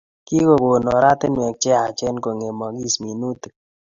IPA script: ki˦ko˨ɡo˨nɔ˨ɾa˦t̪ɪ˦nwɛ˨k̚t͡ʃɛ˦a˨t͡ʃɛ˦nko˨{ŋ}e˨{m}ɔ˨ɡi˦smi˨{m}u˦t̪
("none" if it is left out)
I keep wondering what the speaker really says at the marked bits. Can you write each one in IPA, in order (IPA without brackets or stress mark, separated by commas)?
ŋ, m, n